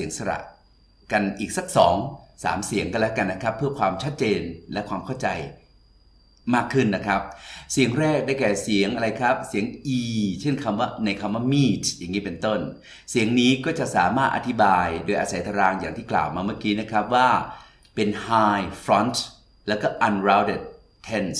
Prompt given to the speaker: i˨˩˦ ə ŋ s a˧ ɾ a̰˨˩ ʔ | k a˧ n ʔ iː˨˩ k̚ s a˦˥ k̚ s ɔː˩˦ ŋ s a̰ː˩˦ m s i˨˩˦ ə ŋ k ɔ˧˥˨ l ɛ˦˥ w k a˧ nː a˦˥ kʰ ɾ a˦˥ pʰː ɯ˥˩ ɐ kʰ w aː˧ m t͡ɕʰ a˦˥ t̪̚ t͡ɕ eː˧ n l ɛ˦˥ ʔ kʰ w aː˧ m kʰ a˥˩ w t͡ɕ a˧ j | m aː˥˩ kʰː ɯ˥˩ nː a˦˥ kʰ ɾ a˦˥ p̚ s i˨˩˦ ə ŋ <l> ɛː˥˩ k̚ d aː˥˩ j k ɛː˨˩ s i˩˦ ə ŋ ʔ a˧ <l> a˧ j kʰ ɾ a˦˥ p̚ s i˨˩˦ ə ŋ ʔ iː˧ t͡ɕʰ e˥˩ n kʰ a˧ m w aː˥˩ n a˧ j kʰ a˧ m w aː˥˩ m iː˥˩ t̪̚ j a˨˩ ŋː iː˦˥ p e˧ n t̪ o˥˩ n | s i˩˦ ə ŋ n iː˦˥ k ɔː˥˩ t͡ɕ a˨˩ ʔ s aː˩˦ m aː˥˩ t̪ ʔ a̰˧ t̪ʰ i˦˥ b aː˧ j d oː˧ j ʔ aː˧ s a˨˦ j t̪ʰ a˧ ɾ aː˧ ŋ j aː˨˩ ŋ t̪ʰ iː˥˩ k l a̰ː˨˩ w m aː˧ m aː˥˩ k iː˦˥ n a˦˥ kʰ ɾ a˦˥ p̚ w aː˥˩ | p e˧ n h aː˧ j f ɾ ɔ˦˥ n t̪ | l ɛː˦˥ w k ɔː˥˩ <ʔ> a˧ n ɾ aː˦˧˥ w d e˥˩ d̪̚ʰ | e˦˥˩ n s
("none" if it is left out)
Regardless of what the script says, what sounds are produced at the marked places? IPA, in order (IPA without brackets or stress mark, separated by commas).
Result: ɾ, ɾ, ʔ